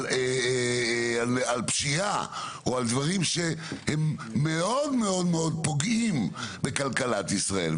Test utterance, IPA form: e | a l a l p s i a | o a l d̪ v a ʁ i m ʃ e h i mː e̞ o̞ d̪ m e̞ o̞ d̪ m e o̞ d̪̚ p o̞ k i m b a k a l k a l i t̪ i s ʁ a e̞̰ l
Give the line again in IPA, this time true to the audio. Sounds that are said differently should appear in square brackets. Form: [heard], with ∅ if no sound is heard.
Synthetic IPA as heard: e | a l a l p [ʃ] i a | o a l d̪ v a ʁ i m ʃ e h [e] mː e̞ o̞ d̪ m e̞ o̞ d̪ m e o̞ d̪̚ p o̞ [ɡ] i m b [e] k a l k a l [a] t̪ i s ʁ a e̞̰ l